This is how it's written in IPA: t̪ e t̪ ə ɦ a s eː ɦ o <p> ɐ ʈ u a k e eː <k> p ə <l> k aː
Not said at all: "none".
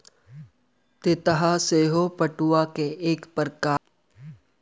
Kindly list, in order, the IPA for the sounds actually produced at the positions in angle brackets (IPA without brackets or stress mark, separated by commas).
p, k, ɾ